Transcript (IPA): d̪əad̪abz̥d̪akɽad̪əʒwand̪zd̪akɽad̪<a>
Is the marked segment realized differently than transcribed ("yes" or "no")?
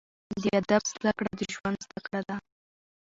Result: no